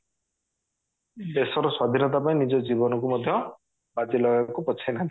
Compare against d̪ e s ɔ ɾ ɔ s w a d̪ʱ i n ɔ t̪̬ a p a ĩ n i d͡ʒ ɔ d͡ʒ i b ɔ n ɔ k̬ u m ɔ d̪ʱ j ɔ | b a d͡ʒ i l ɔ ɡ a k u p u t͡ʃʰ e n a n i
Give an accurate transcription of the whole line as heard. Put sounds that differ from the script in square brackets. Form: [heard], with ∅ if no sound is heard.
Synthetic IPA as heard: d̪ e s ɔ ɾ ɔ s w a d̪ʱ i n ɔ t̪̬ a p a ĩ n i d͡ʒ ɔ d͡ʒ i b ɔ n ɔ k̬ u m ɔ d̪ʱ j ɔ | b a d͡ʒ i l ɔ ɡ a k u p [ɔ] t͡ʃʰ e n a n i